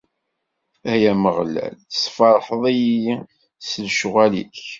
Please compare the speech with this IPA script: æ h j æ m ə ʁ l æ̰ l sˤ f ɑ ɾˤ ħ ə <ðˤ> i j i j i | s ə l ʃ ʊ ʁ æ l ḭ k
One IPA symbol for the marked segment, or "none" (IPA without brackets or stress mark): ðˤ